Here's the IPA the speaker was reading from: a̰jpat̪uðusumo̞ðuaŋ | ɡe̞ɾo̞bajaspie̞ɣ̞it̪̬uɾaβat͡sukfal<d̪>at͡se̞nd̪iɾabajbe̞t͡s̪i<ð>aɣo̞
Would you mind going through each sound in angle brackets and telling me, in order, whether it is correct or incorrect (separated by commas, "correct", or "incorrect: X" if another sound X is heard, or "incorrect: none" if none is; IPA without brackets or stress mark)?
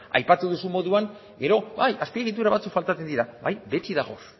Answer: incorrect: t̪, correct